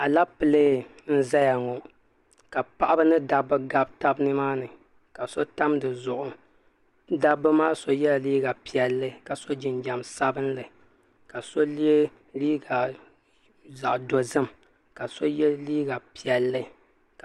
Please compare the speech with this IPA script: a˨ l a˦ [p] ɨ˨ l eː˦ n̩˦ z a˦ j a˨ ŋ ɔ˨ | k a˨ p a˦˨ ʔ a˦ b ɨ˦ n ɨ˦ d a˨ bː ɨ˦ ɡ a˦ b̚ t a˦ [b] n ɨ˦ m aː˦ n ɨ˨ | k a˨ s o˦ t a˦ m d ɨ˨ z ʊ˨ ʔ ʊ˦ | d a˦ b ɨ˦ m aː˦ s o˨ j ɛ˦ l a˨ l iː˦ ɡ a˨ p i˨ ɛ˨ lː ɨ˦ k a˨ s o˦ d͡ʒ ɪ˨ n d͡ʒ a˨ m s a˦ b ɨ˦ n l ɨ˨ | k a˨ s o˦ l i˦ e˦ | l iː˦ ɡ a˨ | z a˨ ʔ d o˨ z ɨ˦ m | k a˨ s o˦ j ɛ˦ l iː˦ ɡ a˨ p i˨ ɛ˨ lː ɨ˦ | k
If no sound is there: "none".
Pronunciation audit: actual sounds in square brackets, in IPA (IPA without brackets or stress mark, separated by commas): p, b